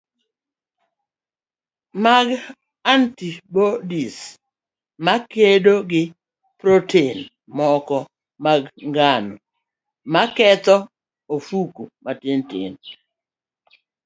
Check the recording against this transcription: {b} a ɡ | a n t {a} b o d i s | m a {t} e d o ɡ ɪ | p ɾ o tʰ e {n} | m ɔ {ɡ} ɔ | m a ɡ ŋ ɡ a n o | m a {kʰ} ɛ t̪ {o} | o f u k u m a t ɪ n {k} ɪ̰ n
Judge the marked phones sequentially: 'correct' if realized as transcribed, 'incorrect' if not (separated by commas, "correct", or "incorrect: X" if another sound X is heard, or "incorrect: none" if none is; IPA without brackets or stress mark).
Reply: incorrect: m, incorrect: i, incorrect: k, correct, incorrect: k, incorrect: k, incorrect: ɔ, incorrect: t